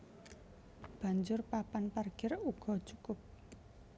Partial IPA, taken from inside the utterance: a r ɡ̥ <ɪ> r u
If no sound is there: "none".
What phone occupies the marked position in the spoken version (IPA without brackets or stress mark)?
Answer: ɪ